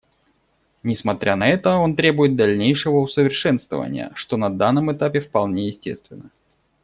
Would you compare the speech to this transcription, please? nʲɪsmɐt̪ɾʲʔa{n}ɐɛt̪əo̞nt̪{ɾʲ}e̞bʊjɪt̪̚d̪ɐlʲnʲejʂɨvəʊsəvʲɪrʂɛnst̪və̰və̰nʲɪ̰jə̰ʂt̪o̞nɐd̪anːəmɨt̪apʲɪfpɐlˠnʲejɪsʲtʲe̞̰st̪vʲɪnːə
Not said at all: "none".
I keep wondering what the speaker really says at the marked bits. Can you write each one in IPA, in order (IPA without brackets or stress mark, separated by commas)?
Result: n, ɾʲ